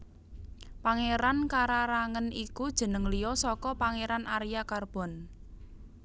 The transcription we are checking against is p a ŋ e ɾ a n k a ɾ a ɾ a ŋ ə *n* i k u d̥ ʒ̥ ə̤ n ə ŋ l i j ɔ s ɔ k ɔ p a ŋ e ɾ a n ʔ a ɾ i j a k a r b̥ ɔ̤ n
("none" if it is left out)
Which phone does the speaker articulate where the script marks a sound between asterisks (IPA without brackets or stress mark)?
n